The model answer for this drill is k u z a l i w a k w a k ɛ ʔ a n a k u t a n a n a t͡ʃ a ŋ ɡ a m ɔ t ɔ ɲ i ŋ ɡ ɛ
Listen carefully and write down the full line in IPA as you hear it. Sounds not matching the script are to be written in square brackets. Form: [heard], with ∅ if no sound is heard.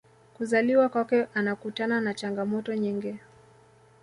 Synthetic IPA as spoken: k u z a l i w a k w a k ɛ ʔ a n a k u t a n a n a t͡ʃ a ŋ ɡ a m ɔ t ɔ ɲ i ŋ ɡ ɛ